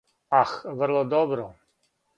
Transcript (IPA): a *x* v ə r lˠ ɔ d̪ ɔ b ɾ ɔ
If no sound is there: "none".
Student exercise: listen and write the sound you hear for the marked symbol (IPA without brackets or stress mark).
x